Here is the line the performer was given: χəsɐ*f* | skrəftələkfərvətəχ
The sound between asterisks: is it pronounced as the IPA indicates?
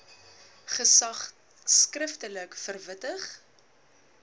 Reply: no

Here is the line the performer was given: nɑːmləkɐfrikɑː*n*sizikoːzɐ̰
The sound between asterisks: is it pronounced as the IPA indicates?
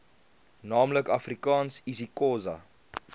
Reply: yes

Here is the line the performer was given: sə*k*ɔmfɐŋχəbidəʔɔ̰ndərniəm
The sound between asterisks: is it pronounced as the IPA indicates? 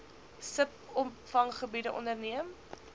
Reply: no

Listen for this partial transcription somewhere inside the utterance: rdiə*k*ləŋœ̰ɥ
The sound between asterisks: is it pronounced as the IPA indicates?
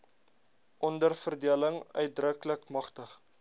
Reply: no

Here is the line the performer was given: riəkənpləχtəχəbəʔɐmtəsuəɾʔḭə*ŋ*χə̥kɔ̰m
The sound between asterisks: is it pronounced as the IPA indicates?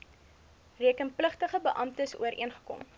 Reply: no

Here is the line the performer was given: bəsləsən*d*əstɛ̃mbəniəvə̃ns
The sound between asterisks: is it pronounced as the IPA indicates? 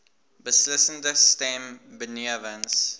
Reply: yes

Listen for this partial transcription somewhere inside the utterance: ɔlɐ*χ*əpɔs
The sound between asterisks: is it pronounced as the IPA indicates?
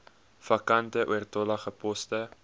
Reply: yes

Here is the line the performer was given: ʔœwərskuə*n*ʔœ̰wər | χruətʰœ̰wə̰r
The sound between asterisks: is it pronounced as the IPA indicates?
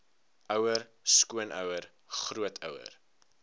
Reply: yes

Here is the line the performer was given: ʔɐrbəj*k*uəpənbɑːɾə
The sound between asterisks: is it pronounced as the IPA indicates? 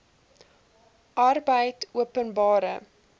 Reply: no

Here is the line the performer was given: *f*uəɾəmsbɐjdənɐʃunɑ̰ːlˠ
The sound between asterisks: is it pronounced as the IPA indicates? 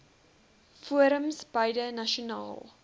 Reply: yes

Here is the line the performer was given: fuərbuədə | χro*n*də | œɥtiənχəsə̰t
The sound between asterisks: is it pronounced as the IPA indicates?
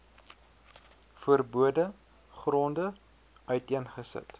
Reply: yes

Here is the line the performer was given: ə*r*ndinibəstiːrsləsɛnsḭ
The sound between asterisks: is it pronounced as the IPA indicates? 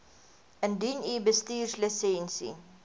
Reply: no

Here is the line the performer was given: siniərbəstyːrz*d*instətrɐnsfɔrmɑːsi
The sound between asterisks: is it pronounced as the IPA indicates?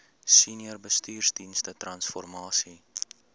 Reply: yes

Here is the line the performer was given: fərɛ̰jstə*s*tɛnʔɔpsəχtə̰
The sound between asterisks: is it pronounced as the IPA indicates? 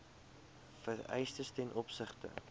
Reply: yes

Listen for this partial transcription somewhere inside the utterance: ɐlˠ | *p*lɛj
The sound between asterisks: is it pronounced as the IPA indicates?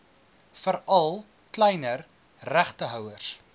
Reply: no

